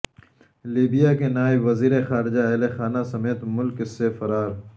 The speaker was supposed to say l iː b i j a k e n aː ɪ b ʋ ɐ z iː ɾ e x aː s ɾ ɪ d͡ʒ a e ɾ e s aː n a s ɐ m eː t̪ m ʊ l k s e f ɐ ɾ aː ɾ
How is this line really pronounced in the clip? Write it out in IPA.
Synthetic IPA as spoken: l iː b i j a k e n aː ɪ b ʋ ɐ z iː ɾ e x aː ɾ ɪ d͡ʒ a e l e x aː n a s ɐ m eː t̪ m ʊ l k s e f ɐ ɾ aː ɾ